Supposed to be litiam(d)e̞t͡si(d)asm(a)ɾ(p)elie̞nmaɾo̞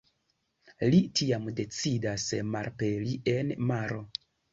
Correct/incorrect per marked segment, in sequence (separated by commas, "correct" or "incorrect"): correct, correct, correct, correct